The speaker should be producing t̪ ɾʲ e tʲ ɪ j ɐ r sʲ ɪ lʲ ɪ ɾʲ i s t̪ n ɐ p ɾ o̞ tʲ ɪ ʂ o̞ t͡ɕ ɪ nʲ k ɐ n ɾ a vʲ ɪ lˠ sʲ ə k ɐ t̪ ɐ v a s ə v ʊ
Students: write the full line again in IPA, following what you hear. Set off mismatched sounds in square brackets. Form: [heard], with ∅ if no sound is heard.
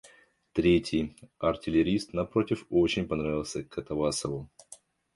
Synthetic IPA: t̪ ɾʲ e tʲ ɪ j ɐ r [tʲ] ɪ lʲ ɪ ɾʲ i s t̪ n ɐ p ɾ o̞ tʲ ɪ [f] o̞ t͡ɕ ɪ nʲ [p] ɐ n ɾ a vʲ ɪ lˠ sʲ ə k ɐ t̪ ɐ v a s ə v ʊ